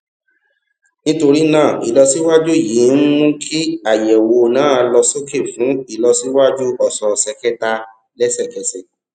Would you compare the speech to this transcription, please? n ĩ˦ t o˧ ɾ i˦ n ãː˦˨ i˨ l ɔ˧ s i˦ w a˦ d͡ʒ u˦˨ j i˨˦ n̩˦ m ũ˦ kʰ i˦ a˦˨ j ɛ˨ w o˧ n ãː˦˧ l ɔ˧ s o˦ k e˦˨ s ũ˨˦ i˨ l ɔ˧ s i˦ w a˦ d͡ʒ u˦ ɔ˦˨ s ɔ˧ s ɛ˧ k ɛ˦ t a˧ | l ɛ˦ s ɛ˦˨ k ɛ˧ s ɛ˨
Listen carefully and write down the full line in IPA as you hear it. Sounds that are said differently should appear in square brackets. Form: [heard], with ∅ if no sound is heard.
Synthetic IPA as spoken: n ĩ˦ t o˧ ɾ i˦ n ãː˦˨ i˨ l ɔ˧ s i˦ w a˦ d͡ʒ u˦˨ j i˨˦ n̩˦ m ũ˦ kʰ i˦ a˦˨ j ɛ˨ w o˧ n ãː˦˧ l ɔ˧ s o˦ k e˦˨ [f] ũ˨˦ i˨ l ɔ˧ s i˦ w a˦ d͡ʒ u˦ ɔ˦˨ s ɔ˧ s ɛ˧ k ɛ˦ t a˧ | l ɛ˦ s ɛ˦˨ k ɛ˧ s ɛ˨